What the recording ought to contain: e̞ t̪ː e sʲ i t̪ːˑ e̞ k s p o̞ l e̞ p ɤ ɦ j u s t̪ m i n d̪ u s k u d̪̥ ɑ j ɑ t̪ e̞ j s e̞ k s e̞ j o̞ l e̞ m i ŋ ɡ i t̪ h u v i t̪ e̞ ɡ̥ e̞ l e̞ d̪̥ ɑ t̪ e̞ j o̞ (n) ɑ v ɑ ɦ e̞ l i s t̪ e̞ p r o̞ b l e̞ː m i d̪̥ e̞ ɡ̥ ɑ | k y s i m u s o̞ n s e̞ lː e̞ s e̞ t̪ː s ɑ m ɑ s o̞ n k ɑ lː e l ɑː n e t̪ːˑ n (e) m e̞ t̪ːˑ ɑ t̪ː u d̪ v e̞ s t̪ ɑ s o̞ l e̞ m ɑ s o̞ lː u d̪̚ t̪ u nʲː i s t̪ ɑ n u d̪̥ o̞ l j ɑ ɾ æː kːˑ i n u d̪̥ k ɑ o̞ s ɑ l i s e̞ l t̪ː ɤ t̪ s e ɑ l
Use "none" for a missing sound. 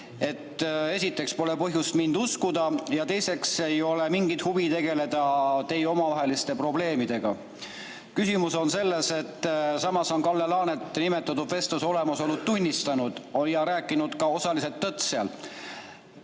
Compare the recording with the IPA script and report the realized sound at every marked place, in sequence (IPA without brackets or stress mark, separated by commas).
m, i